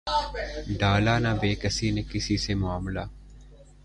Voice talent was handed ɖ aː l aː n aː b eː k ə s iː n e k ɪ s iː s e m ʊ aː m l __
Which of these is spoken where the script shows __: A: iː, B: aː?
B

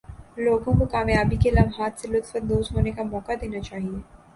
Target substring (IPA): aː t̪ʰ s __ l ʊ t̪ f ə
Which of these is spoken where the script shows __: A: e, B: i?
A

